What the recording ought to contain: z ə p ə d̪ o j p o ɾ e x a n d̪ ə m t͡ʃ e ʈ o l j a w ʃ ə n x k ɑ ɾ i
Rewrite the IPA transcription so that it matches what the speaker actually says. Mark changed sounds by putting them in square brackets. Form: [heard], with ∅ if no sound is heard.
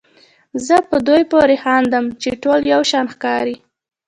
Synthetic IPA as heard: z ə p ə d̪ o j p o ɾ e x [ɑ] n d̪ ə m t͡ʃ e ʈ o l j a w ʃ [ɑ] n x k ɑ ɾ i